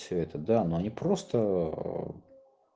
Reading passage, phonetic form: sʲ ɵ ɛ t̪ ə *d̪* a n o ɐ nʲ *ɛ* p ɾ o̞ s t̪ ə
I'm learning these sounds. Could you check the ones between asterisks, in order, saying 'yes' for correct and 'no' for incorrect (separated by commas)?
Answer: yes, no